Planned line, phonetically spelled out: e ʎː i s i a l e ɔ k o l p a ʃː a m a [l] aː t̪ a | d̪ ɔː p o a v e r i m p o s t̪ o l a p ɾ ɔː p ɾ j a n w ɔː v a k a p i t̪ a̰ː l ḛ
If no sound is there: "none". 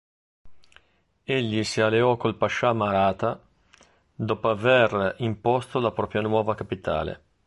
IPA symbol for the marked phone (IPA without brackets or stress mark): ɾ